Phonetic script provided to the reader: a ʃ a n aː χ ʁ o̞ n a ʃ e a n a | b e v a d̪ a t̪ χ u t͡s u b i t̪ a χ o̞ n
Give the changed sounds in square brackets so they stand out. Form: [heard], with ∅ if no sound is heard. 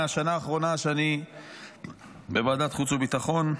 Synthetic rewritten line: a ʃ a n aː χ ʁ o̞ n a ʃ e a n [i] | b e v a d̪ a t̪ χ u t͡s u b i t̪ a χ o̞ n